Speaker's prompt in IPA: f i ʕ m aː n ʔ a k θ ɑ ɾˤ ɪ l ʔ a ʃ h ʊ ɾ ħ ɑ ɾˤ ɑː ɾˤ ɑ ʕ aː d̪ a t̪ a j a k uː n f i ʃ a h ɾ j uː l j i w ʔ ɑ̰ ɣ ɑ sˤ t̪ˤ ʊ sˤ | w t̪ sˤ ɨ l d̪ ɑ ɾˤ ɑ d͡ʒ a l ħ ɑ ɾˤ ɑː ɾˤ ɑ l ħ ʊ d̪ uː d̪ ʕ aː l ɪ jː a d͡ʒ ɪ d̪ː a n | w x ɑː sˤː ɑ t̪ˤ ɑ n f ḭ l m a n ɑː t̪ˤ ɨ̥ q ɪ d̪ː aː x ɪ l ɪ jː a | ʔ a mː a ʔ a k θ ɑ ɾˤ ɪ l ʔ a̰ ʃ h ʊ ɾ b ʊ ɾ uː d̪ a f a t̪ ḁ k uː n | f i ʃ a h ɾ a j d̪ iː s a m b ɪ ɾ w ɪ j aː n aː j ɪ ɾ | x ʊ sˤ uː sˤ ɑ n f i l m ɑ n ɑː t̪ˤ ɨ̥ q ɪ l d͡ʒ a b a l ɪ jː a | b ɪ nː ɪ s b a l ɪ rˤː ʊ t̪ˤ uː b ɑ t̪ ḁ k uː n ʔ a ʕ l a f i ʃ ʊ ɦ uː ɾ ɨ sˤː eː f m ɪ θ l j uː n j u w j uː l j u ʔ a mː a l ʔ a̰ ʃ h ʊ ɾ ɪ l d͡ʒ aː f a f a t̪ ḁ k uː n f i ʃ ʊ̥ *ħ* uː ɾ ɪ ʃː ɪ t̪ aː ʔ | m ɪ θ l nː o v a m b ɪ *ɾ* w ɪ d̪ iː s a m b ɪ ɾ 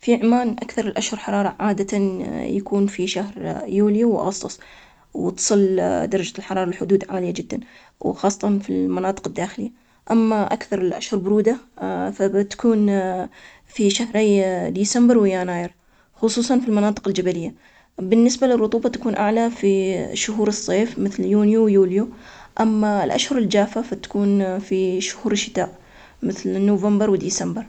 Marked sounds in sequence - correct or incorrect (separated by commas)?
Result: incorrect, correct